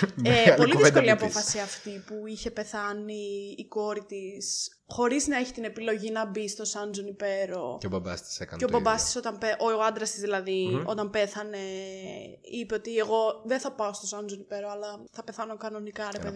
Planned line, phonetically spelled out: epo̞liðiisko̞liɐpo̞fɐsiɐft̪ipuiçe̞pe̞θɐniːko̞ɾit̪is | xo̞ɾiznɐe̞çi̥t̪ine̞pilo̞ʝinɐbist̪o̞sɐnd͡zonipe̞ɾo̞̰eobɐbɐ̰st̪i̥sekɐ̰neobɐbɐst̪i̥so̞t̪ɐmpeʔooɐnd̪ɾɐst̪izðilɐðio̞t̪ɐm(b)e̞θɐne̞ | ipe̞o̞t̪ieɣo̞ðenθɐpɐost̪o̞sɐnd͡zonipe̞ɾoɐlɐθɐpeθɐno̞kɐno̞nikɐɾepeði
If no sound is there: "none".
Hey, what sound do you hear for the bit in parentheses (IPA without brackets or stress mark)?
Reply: p